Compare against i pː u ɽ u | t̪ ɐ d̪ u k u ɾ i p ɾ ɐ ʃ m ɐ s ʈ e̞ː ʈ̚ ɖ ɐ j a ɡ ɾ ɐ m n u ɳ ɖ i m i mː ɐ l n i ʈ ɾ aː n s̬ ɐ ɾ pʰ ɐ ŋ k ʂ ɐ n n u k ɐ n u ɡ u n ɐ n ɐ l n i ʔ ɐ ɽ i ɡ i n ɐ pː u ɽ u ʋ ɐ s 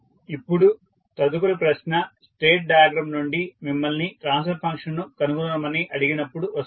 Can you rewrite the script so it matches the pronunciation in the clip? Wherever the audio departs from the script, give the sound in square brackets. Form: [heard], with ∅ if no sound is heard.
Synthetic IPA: i pː u ɽ u | t̪ ɐ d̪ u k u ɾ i p ɾ ɐ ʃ [n] ɐ s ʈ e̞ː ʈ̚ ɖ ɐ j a ɡ ɾ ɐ m n u ɳ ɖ i m i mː ɐ l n i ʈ ɾ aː n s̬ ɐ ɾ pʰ ɐ ŋ k ʂ ɐ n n u k ɐ n u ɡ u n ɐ [m] ɐ [∅] n i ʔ ɐ ɽ i ɡ i n ɐ pː u ɽ u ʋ ɐ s